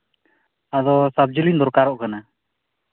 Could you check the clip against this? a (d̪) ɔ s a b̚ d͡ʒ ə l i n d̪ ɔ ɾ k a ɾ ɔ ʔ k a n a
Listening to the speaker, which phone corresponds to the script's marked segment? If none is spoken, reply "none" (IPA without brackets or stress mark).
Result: d̪